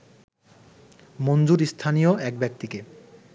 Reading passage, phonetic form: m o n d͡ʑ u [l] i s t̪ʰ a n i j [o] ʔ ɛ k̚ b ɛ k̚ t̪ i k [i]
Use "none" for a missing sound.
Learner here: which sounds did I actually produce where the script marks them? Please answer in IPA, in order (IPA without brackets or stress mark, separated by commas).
ɾ, o, e